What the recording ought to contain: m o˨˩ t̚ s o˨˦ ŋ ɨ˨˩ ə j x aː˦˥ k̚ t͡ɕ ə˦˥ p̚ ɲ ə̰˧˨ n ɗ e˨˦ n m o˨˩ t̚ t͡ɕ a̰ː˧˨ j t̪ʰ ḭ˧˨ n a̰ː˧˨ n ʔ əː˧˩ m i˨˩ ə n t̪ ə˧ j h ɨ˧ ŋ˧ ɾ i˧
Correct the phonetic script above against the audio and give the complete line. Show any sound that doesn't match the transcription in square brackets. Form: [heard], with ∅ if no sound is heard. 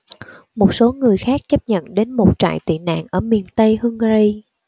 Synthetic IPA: m o˨˩ t̚ s o˨˦ ŋ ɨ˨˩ ə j x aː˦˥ k̚ t͡ɕ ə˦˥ p̚ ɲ ə̰˧˨ n ɗ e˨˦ n m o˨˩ t̚ t͡ɕ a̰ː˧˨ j [t̪] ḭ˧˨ n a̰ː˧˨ n ʔ əː˧˩ m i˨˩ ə n t̪ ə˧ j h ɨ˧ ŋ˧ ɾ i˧

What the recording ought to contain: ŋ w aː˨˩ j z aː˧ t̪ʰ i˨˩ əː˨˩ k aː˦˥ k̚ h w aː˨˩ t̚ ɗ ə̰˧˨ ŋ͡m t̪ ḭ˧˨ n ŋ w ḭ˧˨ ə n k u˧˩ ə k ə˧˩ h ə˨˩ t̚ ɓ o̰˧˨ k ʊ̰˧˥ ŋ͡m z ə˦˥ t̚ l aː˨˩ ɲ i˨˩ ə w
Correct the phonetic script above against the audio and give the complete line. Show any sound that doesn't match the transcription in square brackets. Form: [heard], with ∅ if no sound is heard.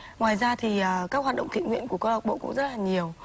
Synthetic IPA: ŋ w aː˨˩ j z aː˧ t̪ʰ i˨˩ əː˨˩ k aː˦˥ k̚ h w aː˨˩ t̚ ɗ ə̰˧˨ ŋ͡m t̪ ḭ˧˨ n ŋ w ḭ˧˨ ə n k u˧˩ ə k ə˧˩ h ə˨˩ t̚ ɓ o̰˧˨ k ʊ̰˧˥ ŋ͡m z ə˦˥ t̚ l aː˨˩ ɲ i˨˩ ə w

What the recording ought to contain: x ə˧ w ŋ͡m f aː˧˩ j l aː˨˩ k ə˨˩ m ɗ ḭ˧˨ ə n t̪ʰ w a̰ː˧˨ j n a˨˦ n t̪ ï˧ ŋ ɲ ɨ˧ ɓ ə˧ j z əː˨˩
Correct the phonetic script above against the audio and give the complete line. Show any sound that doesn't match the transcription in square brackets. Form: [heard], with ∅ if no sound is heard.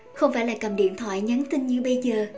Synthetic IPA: x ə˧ w ŋ͡m f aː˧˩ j l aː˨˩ k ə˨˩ m ɗ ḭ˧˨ ə n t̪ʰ w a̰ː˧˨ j [ɲ] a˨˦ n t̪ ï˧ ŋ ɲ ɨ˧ ɓ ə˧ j z əː˨˩

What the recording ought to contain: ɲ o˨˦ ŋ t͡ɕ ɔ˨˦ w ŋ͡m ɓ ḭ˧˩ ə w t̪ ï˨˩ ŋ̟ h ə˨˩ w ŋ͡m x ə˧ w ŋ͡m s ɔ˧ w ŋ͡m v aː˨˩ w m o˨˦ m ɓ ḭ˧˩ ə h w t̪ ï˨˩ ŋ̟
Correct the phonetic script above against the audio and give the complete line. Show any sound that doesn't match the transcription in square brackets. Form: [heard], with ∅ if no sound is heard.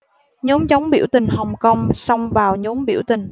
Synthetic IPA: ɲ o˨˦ [m] t͡ɕ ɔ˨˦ w ŋ͡m ɓ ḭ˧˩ ə w t̪ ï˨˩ ŋ̟ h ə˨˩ w ŋ͡m [k] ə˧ w ŋ͡m s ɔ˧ w ŋ͡m v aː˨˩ w [ɲ] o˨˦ m ɓ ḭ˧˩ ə [∅] w t̪ ï˨˩ ŋ̟

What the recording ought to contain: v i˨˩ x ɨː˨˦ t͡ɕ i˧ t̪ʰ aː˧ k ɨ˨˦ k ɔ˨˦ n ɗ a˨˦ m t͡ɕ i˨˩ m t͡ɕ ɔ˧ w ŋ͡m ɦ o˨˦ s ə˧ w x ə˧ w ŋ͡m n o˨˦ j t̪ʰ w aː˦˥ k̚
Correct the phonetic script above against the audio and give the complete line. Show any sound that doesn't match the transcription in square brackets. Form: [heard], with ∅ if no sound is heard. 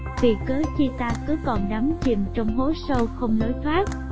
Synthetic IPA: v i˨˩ [k] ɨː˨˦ t͡ɕ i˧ [t̪] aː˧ k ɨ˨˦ k [ɔ˨˩] n ɗ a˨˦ m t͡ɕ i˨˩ m t͡ɕ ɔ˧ w ŋ͡m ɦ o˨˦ s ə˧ w x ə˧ w ŋ͡m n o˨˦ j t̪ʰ w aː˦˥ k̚

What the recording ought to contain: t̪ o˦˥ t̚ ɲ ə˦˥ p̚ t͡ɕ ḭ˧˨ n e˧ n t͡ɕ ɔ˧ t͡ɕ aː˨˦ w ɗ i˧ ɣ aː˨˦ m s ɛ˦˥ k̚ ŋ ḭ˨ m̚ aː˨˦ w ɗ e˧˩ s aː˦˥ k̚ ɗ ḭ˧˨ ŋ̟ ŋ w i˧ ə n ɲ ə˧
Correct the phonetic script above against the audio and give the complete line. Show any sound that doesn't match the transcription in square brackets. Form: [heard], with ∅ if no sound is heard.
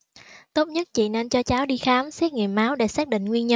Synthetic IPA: t̪ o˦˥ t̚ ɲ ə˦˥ [t̚] t͡ɕ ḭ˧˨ n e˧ n t͡ɕ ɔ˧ t͡ɕ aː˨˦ w ɗ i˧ [x] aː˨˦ m s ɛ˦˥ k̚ ŋ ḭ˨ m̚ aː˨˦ w ɗ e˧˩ s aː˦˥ k̚ ɗ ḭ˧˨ ŋ̟ ŋ w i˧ ə n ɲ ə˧

